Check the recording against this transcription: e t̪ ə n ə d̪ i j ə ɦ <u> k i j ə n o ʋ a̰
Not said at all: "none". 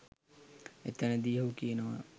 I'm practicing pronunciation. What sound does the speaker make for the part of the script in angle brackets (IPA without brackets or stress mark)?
u